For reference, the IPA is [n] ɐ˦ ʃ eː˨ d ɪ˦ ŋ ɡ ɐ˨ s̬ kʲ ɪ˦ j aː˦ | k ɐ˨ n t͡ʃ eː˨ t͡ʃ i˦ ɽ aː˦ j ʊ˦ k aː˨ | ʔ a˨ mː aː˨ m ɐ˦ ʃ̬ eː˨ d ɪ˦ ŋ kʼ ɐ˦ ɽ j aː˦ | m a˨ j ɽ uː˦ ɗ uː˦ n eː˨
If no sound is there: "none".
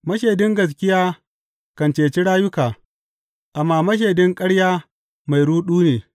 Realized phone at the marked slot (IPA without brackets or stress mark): m